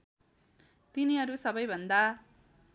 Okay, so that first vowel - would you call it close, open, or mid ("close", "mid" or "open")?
close